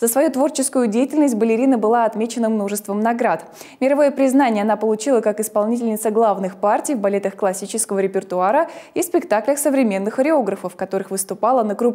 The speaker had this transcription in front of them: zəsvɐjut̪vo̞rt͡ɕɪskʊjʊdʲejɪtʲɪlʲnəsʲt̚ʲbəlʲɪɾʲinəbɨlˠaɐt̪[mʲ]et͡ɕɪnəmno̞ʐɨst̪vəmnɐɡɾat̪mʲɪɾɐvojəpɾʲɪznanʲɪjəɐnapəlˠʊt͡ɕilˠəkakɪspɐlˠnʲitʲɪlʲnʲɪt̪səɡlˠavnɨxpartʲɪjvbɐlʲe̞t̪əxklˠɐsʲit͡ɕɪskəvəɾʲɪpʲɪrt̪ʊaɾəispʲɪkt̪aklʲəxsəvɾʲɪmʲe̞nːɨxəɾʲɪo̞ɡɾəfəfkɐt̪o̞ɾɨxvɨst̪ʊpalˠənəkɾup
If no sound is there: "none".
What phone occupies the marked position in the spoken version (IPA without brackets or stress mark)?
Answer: mʲ